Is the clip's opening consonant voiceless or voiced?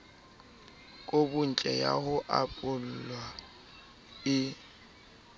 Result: voiceless